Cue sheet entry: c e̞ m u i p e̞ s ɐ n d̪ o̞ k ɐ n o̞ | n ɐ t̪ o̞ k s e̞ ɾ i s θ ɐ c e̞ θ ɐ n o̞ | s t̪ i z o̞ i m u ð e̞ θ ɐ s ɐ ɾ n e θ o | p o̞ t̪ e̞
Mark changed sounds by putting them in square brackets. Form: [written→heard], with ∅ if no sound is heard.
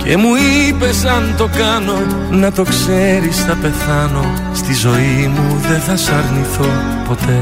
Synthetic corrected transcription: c e̞ m u i p e̞ s ɐ n [d̪→t̪] o̞ k ɐ n o̞ | n ɐ t̪ o̞ k s e̞ ɾ i s θ ɐ [c→p] e̞ θ ɐ n o̞ | s t̪ i z o̞ i m u ð e̞ θ ɐ s ɐ ɾ n [e→i] θ o | p o̞ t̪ e̞